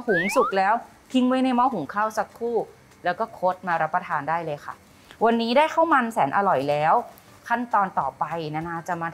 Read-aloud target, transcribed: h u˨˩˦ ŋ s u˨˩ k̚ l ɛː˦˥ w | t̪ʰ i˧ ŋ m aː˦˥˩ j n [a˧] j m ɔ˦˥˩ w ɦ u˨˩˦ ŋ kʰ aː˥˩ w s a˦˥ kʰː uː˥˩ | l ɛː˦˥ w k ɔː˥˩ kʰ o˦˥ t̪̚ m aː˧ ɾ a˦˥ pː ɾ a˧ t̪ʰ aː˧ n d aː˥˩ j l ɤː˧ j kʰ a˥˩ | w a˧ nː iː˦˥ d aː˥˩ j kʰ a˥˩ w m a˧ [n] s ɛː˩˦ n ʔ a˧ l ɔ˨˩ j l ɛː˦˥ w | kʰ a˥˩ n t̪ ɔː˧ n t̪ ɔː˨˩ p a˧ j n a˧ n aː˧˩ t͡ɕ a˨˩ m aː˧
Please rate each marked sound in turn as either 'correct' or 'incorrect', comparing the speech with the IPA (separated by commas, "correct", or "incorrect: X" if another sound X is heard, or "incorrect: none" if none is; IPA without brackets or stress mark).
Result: correct, correct